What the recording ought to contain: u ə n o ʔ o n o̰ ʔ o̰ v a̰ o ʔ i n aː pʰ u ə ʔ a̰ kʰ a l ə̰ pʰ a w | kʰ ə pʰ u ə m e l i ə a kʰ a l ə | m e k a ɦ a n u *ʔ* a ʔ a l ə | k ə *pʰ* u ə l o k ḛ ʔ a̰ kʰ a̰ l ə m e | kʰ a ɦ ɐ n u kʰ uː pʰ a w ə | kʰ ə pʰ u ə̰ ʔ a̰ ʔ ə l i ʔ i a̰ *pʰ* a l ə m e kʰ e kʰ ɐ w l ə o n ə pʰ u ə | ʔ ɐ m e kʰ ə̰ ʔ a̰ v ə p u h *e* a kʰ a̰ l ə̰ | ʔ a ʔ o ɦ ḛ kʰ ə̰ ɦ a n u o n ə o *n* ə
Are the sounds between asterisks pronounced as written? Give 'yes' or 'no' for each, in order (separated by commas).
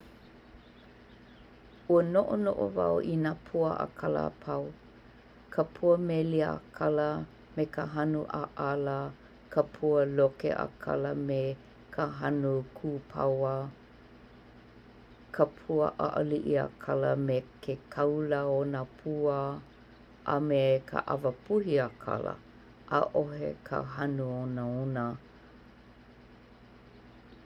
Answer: yes, yes, no, no, yes